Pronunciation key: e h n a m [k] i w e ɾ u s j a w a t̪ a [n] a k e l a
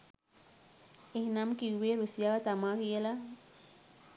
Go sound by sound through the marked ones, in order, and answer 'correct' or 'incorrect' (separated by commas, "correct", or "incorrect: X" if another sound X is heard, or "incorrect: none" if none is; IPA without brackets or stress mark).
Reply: correct, incorrect: m